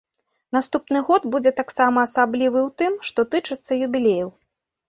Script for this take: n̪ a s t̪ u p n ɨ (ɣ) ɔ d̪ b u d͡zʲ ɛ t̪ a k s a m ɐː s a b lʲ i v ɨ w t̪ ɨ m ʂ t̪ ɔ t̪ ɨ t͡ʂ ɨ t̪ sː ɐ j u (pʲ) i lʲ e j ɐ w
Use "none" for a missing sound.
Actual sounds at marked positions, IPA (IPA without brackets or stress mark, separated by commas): ɣ, bʲ